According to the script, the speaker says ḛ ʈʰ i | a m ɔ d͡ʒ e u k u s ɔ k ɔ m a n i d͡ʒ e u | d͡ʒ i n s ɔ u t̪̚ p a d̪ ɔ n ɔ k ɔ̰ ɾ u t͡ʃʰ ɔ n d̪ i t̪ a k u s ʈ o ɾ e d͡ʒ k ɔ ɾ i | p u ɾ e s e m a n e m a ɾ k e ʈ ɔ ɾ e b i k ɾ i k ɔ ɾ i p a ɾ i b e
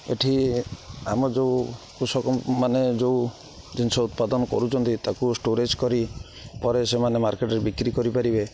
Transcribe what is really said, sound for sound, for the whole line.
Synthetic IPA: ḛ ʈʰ i | a m ɔ d͡ʒ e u k u s ɔ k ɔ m a n e d͡ʒ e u | d͡ʒ i n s ɔ u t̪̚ p a d̪ ɔ n ɔ k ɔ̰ ɾ u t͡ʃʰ ɔ n t̪ i t̪ a k u s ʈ o ɾ e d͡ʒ k ɔ ɾ i | p ɔ ɾ e s e m a n e m a ɾ k e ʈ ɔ ɾ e b i k ɾ i k ɔ ɾ i p a ɾ i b e